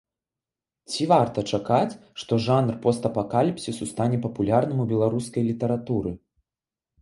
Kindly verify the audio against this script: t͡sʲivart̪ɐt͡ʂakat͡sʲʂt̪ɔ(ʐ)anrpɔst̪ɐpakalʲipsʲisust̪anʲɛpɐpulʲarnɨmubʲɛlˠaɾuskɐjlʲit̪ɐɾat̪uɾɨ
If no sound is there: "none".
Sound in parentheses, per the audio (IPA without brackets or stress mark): ʐ